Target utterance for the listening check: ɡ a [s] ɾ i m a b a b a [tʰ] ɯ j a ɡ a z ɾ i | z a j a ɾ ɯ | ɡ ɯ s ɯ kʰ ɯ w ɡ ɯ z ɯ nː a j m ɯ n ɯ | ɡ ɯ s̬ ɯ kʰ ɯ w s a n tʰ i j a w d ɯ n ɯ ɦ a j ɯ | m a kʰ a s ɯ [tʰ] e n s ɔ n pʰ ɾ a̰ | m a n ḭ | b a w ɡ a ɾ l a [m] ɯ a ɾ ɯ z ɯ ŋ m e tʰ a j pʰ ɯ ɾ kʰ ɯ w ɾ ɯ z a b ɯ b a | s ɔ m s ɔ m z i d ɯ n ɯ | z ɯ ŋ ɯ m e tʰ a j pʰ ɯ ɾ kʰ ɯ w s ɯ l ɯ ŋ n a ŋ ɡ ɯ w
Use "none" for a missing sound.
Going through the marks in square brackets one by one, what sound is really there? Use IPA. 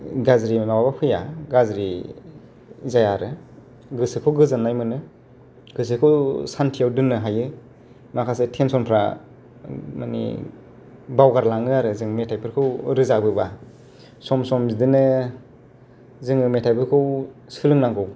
z, pʰ, tʰ, ŋ

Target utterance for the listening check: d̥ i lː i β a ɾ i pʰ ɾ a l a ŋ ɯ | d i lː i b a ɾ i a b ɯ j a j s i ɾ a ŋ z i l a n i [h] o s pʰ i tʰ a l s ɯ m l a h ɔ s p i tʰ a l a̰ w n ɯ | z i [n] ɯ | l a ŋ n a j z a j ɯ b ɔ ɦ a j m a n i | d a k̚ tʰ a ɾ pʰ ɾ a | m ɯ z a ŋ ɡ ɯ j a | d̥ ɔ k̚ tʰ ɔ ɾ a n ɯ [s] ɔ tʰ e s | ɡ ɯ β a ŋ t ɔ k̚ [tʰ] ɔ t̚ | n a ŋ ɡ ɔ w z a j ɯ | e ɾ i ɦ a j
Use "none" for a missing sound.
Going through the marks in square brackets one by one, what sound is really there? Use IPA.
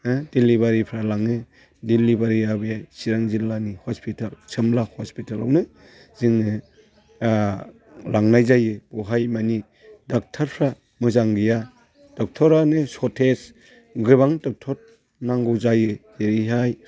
h, ŋ, s, tʰ

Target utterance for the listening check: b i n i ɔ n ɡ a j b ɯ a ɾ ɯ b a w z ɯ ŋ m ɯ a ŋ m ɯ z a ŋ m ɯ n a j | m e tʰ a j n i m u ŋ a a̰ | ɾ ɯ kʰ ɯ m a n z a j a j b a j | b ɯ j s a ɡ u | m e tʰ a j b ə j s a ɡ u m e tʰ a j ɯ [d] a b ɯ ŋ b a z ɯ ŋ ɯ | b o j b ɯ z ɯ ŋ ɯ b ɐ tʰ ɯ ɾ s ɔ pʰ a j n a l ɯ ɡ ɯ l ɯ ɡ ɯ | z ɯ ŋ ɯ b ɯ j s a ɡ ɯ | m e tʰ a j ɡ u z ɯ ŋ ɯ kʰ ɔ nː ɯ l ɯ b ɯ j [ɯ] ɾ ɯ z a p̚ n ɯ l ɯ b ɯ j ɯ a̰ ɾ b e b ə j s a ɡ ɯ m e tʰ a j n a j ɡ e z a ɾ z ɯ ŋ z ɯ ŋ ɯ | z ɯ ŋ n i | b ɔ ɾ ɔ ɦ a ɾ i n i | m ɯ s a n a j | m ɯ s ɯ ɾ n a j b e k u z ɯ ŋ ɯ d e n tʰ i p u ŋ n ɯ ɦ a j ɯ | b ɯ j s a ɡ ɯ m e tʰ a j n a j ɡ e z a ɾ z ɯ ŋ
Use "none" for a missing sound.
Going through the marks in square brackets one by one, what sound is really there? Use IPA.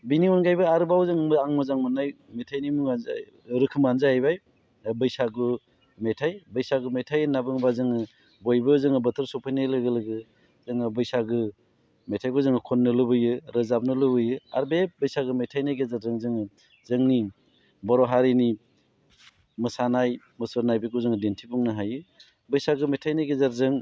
n, ɯ

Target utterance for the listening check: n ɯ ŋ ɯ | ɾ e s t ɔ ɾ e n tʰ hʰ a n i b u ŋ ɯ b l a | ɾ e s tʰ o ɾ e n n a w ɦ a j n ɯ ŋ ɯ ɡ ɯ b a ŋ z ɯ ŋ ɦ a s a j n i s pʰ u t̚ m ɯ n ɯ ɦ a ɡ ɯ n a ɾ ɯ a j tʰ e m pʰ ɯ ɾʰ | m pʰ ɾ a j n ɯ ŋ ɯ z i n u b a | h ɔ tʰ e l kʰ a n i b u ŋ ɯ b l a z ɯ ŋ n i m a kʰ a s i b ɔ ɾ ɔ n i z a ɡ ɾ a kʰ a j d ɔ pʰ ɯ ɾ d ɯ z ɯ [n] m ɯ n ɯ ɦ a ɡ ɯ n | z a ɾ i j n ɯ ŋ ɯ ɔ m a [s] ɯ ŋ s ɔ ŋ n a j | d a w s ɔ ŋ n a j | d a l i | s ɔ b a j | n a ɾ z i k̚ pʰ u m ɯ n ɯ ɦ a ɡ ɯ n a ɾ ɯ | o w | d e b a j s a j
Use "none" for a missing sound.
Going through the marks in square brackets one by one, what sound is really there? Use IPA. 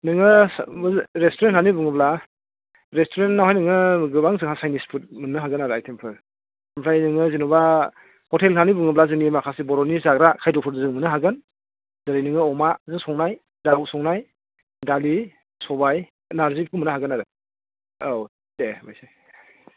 ŋ, z

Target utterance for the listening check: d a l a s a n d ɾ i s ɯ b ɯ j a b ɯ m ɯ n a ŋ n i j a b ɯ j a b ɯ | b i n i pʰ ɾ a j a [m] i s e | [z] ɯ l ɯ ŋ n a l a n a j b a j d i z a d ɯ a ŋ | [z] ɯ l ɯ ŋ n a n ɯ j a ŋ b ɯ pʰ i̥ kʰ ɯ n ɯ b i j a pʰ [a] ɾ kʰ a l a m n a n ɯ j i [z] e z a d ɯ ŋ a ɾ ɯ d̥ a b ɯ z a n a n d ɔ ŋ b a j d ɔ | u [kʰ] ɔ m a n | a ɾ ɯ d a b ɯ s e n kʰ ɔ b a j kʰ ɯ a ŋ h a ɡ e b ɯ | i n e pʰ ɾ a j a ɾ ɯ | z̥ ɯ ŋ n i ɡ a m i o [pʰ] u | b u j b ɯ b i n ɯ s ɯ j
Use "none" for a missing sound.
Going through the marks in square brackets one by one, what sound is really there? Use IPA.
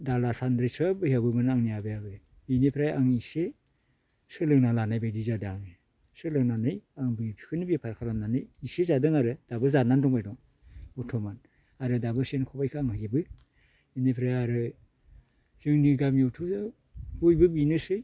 ŋ, s, s, a, s, tʰ, tʰ

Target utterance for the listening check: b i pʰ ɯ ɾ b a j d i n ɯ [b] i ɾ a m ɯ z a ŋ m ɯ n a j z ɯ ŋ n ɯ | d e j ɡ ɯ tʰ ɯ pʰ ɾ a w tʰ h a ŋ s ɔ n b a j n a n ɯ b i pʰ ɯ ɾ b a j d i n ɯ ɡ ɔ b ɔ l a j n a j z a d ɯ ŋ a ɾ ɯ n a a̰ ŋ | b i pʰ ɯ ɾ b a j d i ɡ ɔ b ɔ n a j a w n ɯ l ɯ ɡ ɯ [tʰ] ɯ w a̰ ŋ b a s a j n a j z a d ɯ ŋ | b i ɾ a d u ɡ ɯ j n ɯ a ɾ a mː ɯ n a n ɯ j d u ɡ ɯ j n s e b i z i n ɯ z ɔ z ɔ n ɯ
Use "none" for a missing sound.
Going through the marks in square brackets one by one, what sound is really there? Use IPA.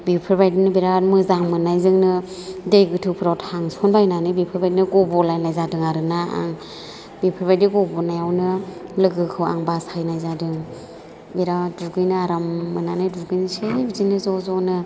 b, kʰ

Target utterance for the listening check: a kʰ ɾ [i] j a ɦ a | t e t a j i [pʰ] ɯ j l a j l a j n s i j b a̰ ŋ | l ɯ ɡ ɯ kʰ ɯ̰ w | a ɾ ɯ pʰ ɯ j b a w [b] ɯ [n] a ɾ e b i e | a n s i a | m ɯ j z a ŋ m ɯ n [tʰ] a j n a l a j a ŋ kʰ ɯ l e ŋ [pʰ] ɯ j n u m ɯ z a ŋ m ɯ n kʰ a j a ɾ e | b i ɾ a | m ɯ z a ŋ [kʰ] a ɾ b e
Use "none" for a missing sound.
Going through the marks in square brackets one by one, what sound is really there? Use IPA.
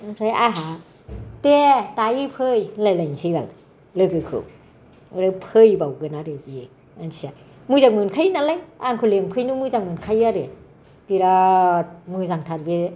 a, pʰ, ɡ, n, kʰ, pʰ, tʰ

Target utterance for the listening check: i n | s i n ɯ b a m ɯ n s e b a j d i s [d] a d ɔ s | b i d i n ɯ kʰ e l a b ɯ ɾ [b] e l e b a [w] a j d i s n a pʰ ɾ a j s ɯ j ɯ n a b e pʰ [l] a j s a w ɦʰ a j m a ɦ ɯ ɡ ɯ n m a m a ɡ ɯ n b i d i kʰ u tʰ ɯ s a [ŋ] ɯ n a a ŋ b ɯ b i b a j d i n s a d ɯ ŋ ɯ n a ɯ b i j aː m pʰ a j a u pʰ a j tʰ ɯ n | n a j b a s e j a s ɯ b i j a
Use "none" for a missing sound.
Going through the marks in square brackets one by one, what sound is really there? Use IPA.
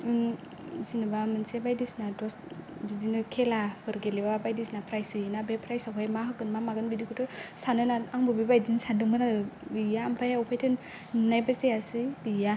n, ɡ, b, ɾ, n

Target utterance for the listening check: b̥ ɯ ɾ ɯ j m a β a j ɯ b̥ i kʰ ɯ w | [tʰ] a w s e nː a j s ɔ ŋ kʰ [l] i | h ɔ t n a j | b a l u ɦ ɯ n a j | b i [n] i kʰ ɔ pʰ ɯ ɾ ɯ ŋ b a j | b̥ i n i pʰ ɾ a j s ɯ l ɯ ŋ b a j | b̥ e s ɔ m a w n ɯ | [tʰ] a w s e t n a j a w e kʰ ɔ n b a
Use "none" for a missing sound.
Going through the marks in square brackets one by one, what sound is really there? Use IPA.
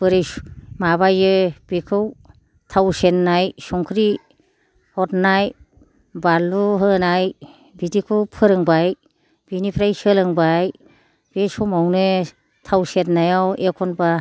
tʰ, ɾ, d, tʰ

